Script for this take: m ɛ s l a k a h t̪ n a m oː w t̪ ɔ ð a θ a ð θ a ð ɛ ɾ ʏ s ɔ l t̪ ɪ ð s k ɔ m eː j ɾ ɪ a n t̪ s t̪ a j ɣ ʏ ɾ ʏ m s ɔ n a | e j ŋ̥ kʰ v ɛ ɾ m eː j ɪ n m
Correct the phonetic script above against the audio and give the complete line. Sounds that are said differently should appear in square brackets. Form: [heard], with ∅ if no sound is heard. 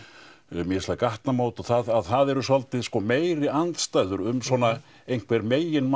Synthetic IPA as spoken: m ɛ s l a k a h t̪ n a m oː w t̪ ɔ [θ] a [ð] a ð θ a ð ɛ ɾ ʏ s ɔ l t̪ ɪ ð s k ɔ m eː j ɾ ɪ a n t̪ s t̪ a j [ð] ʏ ɾ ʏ m s ɔ n a | e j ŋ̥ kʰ v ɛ ɾ m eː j ɪ n m